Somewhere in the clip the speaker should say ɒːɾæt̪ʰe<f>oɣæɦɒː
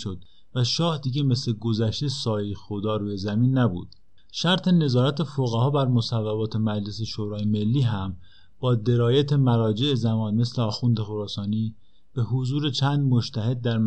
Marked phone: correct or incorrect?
correct